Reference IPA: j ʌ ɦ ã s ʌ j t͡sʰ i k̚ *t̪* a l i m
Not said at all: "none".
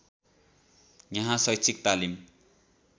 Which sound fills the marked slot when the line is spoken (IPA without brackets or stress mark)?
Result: t̪